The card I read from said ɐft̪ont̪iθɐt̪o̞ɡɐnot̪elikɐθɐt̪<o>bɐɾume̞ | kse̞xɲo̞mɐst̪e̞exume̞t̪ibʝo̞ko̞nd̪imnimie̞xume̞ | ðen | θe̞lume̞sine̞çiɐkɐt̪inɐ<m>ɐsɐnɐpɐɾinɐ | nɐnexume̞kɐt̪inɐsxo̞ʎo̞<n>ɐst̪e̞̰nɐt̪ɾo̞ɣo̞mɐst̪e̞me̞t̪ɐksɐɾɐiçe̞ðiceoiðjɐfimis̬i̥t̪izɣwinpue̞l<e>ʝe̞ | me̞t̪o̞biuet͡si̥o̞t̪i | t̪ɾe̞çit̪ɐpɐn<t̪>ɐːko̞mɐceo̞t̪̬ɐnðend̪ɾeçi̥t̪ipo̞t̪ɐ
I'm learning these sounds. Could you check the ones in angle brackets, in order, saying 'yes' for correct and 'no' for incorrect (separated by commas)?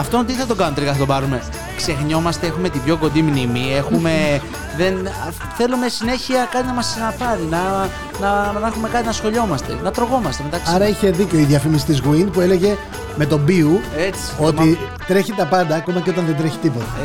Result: yes, yes, no, yes, no